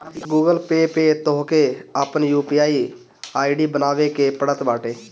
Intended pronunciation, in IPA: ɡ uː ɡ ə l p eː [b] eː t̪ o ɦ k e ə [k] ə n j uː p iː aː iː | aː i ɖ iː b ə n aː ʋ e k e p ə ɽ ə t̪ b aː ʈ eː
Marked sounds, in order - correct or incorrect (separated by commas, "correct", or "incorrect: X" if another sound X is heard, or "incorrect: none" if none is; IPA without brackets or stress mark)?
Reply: incorrect: p, incorrect: p